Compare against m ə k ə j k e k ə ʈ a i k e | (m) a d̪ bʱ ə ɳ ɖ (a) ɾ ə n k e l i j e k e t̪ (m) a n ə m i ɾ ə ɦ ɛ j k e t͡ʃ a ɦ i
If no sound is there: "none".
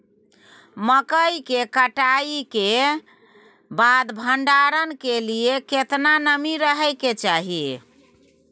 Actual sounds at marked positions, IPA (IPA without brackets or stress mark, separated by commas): b, a, n